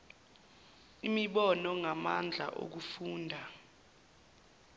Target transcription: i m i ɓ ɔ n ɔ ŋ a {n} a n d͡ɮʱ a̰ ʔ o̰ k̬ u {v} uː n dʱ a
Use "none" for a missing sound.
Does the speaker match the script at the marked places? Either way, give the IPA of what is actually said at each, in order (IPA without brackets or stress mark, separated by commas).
m, f